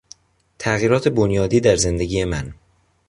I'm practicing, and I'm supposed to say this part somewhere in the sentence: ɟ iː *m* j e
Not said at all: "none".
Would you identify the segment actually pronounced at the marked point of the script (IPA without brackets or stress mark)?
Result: none